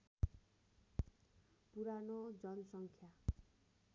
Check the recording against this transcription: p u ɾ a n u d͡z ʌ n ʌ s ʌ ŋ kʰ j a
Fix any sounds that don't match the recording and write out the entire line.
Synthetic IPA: p u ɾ a n o d͡z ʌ n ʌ s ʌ ŋ kʰ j a